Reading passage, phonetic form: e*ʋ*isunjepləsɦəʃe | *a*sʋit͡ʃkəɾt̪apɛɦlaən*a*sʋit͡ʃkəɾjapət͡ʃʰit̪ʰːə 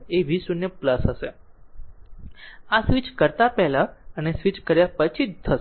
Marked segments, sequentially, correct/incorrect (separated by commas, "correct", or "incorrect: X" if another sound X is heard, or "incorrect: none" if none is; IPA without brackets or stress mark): correct, correct, incorrect: e